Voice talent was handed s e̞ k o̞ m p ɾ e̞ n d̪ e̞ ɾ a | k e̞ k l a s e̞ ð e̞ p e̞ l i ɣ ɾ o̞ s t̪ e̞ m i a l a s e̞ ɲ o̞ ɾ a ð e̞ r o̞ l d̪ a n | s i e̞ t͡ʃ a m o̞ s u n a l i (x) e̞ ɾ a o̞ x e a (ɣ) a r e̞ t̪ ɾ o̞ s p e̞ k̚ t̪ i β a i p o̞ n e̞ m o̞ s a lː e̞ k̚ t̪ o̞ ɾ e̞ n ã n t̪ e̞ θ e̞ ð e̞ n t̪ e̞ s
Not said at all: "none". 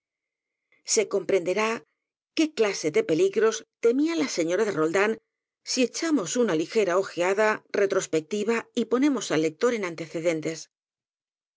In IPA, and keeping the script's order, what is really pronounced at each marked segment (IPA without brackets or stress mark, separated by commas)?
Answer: x, ð